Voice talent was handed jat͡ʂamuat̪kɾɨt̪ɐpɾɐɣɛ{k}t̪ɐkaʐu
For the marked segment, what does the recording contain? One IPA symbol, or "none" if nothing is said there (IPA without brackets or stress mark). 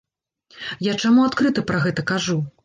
none